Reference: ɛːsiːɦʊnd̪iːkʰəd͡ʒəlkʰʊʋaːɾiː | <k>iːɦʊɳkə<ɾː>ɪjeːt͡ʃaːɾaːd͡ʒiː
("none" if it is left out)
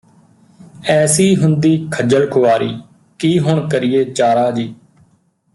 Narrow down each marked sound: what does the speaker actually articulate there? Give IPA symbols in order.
k, ɾ

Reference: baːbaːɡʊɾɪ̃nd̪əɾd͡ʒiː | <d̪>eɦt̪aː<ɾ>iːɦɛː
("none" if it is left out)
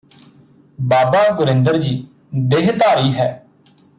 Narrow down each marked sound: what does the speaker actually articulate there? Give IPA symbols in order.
d̪, ɾ

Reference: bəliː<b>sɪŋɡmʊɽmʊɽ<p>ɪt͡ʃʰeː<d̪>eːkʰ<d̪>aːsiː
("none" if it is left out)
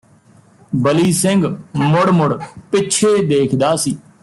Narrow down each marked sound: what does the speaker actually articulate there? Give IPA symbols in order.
none, p, d̪, d̪

